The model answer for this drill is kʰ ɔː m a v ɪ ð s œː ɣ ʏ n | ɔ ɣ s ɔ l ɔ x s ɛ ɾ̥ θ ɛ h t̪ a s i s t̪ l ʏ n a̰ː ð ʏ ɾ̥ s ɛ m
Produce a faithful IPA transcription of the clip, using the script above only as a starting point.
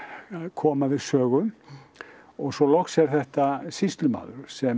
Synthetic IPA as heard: kʰ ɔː m a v ɪ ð s œː ɣ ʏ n | ɔ ɣ s ɔ l ɔ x s ɛ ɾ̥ θ ɛ h t̪ a s i s t̪ l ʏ m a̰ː ð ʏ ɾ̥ s ɛ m